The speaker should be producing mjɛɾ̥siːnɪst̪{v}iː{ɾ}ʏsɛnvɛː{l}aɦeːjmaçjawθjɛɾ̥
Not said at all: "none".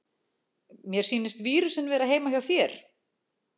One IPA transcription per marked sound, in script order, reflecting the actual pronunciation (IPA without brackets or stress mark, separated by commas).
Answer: v, ɾ, ɾ